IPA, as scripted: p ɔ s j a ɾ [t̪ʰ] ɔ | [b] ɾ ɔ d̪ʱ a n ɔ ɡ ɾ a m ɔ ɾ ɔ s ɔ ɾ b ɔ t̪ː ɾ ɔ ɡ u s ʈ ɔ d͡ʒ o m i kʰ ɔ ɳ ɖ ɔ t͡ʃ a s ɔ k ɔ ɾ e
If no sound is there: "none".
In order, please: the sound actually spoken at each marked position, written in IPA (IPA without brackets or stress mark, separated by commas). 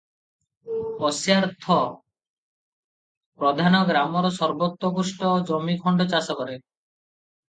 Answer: t̪ʰ, p